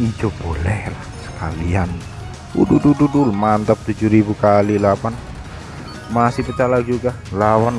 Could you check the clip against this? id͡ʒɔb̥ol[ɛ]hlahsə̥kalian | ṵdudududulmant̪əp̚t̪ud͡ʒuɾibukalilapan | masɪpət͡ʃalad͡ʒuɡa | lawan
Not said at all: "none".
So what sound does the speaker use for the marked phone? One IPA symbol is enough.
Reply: ɛ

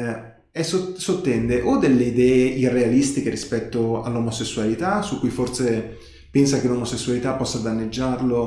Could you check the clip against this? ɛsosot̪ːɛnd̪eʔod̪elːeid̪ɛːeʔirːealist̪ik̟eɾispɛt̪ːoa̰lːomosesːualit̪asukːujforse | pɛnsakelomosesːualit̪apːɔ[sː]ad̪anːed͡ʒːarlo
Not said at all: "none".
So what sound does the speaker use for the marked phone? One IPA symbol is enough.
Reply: sː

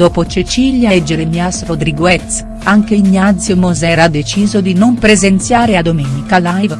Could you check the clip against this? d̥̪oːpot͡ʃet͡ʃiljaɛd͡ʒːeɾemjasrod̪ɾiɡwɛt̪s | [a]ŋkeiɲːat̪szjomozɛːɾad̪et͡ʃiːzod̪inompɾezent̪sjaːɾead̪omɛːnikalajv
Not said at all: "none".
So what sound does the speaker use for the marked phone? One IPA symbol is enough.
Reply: a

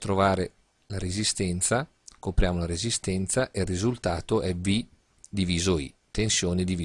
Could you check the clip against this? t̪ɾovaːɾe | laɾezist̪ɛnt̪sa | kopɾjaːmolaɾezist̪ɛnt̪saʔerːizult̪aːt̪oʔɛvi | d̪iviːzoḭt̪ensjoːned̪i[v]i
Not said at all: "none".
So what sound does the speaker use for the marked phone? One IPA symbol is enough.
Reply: v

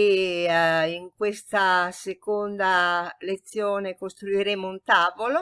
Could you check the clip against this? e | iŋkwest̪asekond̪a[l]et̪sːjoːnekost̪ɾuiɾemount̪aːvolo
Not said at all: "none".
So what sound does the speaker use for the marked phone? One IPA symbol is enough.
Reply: l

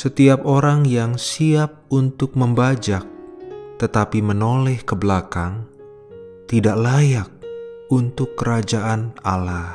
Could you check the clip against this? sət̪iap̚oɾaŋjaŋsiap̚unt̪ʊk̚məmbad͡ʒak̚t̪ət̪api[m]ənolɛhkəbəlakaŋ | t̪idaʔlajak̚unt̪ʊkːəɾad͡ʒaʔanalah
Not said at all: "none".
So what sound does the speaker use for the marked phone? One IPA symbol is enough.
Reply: m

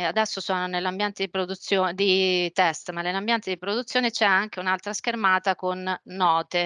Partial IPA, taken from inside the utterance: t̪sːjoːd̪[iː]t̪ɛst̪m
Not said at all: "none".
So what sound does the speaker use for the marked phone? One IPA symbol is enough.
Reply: i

